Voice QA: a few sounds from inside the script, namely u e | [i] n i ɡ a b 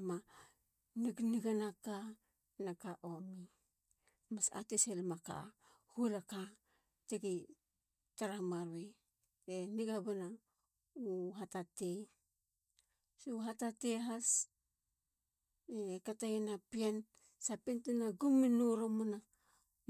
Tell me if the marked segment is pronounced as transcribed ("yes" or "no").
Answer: no